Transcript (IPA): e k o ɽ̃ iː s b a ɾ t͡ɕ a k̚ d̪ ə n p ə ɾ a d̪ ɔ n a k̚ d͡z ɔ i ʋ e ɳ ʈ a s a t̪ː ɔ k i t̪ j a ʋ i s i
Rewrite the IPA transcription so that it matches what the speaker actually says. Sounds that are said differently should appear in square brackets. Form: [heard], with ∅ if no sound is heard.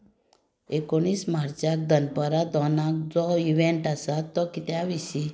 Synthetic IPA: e k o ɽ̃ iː s [m] a ɾ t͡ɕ a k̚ d̪ ə n p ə ɾ a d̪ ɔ n a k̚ d͡z ɔ i ʋ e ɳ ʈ a s a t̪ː ɔ k i t̪ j a ʋ i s i